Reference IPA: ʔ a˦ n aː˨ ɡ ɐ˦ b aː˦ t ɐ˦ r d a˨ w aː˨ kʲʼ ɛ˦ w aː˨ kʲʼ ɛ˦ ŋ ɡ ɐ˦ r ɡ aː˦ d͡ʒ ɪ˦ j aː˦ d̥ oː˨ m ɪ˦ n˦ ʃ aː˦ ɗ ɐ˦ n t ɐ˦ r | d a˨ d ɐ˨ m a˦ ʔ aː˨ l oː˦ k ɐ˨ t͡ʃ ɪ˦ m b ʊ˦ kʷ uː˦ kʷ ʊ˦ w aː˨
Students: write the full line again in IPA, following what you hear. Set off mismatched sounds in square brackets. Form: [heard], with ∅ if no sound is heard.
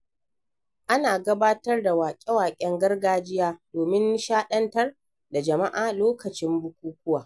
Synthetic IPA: ʔ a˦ n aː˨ ɡ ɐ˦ b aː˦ t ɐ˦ r d a˨ w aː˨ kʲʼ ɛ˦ w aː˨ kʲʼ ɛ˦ ŋ ɡ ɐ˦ r ɡ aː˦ d͡ʒ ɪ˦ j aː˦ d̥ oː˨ m ɪ˦ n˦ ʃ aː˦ ɗ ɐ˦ n t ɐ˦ r | d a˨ [d͡ʒ] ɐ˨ m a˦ ʔ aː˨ l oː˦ k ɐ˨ t͡ʃ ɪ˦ m b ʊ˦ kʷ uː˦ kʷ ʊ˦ w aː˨